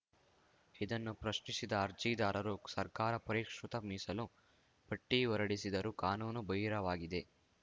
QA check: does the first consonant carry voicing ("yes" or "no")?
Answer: yes